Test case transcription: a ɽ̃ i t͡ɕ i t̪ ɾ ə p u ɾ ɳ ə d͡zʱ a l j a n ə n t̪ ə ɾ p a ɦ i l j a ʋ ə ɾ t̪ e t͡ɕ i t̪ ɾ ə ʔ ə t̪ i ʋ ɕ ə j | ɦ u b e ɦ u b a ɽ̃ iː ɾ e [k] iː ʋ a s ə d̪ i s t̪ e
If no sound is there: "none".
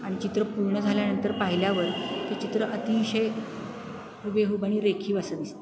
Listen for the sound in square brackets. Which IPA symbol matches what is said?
kʰ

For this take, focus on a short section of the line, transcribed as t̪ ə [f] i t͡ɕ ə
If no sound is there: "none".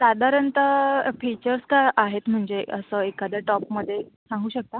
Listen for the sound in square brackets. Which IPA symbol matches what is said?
f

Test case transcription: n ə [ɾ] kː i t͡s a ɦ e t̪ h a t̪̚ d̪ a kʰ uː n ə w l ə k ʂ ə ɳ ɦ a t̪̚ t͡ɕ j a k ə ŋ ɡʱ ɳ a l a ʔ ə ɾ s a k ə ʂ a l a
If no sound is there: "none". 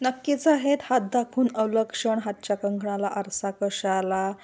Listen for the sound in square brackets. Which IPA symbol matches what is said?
none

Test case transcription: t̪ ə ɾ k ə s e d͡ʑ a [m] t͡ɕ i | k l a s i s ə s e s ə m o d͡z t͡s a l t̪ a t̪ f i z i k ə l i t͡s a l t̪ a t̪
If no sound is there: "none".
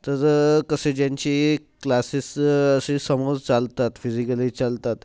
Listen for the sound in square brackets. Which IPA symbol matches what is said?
ɲ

